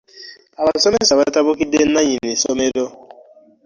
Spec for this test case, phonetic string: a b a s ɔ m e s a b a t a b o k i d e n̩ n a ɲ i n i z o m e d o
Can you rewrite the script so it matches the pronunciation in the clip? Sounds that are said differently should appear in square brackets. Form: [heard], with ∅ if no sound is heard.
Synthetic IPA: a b a s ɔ m e s a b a t a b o k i d e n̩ n a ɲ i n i [s] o m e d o